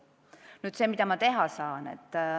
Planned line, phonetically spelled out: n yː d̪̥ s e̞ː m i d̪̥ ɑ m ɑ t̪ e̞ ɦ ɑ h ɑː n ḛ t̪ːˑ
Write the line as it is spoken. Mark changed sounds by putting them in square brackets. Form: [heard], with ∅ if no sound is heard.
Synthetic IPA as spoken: n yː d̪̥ s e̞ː m i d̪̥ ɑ m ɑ t̪ e̞ ɦ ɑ [s] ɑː n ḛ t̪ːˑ